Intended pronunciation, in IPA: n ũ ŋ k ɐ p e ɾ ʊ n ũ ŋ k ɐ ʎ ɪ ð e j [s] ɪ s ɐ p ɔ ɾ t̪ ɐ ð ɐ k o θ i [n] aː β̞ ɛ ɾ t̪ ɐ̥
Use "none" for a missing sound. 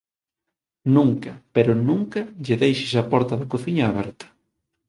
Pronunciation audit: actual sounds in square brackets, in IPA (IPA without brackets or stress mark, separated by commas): ʃ, ɲ